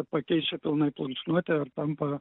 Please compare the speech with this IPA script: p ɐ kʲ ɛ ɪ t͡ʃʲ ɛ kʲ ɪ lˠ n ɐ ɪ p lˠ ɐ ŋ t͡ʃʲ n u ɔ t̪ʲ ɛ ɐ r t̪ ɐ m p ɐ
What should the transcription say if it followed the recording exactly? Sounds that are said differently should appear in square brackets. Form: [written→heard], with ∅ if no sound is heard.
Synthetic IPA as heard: p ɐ kʲ ɛ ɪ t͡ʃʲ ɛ [kʲ→pʲ] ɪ lˠ n ɐ ɪ p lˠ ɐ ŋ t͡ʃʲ n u ɔ t̪ʲ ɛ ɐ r t̪ ɐ m p ɐ